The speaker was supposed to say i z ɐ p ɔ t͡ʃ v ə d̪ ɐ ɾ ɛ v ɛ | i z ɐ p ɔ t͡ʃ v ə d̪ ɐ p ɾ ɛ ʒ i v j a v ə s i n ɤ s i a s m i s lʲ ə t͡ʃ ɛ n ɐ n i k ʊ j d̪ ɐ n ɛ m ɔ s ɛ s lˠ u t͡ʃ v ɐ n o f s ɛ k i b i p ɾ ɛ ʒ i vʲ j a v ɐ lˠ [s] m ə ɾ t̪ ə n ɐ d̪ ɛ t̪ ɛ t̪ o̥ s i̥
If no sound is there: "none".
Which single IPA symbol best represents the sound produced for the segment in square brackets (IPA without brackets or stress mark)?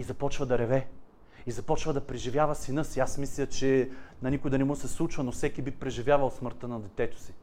s